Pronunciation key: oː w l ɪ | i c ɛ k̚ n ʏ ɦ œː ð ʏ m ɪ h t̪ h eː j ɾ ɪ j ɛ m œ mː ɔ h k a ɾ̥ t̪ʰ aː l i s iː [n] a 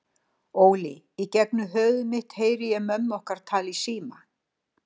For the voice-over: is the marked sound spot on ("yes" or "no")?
no